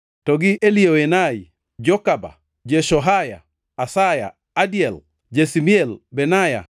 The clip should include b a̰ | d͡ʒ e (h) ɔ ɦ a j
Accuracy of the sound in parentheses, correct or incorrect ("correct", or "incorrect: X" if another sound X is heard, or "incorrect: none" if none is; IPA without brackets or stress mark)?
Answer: incorrect: ʃ